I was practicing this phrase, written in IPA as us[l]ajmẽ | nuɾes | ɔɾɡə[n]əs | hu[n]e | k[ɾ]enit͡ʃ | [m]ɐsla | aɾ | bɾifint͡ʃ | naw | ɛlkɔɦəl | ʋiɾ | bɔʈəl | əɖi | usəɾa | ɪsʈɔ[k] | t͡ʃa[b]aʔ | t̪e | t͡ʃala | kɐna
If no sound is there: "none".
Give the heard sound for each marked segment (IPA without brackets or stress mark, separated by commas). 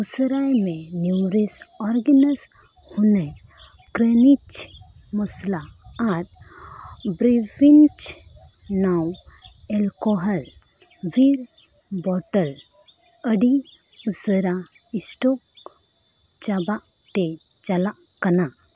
ɾ, n, n, ɾ, m, k, b